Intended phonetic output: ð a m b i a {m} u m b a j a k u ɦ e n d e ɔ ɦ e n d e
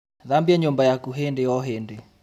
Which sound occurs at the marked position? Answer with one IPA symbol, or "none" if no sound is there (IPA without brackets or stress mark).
ɲ